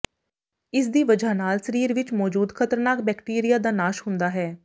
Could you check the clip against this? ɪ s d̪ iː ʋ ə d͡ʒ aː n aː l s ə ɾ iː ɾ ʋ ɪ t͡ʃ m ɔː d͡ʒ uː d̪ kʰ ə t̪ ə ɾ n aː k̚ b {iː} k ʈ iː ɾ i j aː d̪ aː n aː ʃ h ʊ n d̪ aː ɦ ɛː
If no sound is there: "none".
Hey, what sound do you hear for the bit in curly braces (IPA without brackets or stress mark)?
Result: ɛː